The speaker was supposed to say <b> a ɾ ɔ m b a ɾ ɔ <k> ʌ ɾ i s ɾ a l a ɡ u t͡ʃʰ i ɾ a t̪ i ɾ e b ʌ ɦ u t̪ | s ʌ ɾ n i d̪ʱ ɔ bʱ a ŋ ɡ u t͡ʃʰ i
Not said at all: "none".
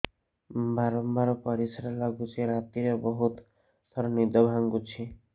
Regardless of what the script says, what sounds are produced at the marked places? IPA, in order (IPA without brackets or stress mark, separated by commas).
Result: b, p